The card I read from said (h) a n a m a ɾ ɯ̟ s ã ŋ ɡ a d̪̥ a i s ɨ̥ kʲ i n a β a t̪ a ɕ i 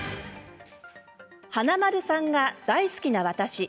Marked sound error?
no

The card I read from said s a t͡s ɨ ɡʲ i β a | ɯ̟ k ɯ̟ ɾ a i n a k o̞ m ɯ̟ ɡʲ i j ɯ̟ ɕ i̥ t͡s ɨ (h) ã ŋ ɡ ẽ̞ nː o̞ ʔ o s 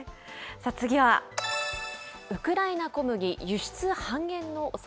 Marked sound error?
no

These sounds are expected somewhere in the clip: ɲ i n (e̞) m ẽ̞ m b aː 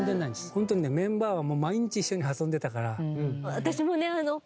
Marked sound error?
no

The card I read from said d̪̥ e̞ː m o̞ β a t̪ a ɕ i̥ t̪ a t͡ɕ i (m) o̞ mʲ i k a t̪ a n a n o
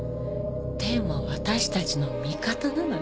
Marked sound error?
yes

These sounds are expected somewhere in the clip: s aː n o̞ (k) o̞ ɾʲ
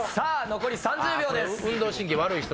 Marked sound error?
no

